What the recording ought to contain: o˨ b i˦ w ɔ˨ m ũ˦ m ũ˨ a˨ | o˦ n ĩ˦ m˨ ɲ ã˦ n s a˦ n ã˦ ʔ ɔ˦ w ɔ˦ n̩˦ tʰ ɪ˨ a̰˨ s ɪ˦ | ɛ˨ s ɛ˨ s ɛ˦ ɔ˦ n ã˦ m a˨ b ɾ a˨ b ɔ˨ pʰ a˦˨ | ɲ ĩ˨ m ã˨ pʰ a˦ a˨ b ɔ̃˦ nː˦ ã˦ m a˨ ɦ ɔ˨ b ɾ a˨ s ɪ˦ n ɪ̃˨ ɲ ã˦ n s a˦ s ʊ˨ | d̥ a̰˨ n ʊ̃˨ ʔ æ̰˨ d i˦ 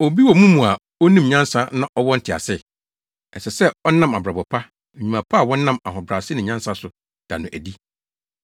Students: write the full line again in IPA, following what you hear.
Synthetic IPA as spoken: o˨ b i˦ w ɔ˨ m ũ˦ m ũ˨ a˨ | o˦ n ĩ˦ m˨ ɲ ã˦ n s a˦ n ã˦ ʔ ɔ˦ w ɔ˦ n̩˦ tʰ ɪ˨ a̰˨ s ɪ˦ | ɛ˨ s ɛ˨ s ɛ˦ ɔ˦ n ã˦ m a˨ b ɾ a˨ b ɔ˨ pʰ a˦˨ | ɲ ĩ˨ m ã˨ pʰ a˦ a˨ w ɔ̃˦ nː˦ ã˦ m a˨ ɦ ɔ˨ b ɾ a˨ s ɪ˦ n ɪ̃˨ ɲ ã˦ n s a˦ s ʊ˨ | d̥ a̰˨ n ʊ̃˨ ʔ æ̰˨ d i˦